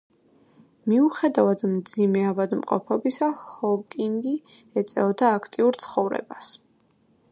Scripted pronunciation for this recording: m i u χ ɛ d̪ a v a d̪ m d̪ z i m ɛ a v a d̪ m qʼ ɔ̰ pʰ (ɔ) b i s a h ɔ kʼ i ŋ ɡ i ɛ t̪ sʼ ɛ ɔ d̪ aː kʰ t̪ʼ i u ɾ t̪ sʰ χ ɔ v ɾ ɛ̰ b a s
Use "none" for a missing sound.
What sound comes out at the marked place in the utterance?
ɔ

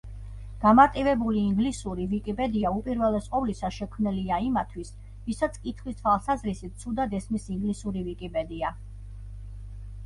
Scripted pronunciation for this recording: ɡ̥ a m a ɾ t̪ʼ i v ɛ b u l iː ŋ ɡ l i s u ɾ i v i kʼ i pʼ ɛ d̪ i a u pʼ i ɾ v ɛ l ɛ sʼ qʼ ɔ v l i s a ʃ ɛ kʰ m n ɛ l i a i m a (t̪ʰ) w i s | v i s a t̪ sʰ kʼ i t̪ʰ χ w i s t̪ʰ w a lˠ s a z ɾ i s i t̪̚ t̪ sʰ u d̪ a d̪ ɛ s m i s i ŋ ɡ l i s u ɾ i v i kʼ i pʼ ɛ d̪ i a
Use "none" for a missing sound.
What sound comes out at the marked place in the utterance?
t̪ʰ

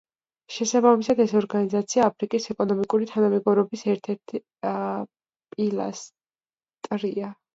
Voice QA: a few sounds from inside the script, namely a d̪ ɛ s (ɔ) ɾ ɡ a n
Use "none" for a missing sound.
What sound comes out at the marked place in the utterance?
ɔ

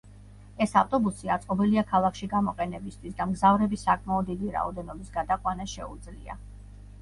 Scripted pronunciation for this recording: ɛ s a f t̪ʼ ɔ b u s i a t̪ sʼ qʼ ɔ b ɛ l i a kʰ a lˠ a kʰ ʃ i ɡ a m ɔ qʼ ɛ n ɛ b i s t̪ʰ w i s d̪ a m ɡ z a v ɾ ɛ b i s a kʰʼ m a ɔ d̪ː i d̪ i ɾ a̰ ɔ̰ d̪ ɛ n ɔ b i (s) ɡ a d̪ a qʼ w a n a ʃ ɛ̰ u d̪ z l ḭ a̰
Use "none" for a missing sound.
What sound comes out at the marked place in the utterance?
s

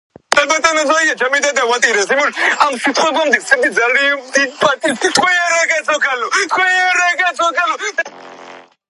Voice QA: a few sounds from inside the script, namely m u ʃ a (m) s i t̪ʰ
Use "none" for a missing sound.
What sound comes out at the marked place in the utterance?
m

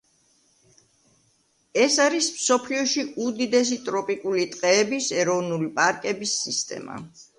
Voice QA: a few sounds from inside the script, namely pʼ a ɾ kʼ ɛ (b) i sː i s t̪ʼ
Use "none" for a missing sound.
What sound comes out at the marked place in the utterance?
b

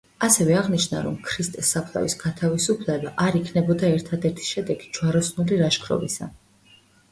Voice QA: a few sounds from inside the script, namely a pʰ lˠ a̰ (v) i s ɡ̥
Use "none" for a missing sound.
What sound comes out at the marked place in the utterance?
v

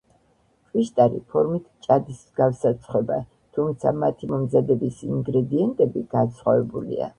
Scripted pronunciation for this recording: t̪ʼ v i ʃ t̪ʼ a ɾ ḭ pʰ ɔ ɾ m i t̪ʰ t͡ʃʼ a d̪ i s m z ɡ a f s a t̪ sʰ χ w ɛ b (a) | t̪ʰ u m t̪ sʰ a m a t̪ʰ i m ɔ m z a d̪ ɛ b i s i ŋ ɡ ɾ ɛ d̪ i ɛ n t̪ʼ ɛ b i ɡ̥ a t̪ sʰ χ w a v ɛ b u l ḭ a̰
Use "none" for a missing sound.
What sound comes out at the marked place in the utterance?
a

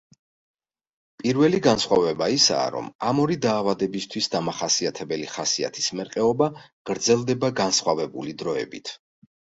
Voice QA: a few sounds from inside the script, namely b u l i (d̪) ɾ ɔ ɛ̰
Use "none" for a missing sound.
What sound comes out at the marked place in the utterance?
d̪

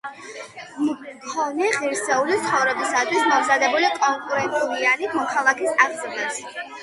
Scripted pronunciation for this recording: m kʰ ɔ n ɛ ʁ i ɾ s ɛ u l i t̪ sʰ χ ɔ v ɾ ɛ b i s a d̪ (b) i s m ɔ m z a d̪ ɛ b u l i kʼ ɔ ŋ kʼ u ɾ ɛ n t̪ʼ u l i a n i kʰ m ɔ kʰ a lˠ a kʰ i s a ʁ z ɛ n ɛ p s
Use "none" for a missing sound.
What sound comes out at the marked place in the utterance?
w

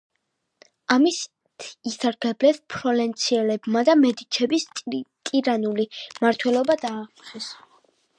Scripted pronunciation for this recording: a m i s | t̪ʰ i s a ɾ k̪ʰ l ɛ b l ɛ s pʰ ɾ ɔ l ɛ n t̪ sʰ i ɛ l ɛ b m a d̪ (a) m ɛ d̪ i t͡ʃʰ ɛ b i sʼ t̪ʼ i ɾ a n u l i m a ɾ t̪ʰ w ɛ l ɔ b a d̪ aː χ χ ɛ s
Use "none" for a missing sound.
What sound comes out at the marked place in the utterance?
a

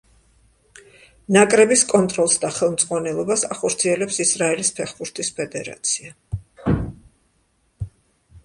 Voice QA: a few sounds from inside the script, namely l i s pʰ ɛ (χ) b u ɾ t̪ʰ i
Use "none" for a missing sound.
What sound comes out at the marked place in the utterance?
χ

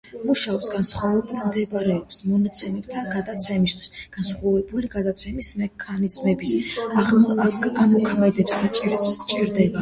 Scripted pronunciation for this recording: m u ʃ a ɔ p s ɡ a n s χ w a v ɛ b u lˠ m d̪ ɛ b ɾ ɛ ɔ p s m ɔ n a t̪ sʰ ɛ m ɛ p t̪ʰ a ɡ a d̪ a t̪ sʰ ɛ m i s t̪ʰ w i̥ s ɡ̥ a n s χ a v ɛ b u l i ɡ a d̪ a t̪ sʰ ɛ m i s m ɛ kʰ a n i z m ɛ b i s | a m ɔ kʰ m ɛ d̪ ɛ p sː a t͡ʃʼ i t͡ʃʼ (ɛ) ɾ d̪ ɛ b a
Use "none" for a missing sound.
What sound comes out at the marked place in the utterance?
i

